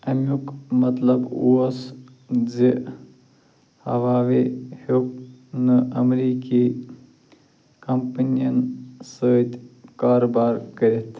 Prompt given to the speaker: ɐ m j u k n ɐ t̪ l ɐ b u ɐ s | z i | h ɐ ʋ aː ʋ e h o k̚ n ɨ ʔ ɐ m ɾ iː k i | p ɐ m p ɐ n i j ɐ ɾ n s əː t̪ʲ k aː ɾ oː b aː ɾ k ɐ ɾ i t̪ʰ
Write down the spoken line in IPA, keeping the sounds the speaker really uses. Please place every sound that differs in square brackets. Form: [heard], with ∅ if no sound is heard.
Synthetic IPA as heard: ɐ m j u k [m] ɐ t̪ l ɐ b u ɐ s | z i | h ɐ ʋ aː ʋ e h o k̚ n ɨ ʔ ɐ m ɾ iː k i | [k] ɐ m p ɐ n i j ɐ [∅] n s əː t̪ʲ k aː ɾ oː b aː ɾ k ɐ ɾ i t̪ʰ